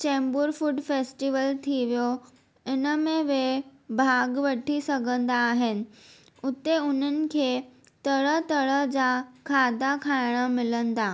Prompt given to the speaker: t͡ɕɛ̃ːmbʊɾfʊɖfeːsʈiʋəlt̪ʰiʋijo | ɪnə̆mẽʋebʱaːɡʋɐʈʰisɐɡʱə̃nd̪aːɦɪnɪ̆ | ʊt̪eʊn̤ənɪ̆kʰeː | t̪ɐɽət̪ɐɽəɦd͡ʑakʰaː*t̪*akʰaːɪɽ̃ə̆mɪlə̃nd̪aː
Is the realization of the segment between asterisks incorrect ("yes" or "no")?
yes